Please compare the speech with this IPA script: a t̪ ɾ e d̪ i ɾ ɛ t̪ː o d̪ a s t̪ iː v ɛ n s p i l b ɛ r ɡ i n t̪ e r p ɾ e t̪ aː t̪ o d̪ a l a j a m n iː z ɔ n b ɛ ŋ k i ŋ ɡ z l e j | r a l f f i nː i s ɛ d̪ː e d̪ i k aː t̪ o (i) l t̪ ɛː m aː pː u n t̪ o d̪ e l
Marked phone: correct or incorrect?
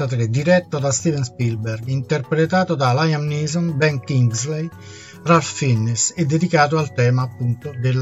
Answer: incorrect